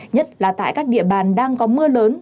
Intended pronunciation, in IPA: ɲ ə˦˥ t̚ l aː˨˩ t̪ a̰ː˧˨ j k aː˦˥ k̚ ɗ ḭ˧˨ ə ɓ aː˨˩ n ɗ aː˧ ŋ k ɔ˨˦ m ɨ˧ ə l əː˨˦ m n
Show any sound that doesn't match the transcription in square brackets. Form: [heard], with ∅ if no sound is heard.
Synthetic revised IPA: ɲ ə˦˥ t̚ l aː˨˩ t̪ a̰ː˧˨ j k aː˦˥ k̚ ɗ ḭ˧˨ ə ɓ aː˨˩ n ɗ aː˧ ŋ k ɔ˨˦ m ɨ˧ ə l əː˨˦ [∅] n